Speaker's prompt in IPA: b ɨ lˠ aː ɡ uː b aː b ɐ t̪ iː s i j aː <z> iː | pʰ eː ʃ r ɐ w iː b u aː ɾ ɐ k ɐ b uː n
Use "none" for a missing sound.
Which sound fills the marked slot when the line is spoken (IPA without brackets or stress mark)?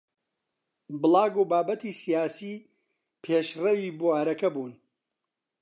s